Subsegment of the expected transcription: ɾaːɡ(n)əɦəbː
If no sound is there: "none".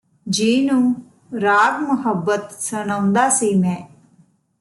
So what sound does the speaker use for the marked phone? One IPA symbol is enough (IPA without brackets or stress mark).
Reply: m